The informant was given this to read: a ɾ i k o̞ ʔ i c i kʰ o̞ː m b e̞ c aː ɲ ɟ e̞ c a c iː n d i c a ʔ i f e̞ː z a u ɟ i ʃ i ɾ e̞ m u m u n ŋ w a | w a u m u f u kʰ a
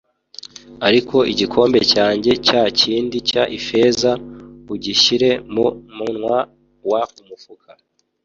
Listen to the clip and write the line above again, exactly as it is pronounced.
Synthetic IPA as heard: a ɾ i k o̞ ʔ i ɟ i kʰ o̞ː m b e̞ c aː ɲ ɟ e̞ c a c iː n d i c a ʔ i f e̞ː z a u ɟ i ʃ i ɾ e̞ m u m u n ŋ w a | w a u m u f u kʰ a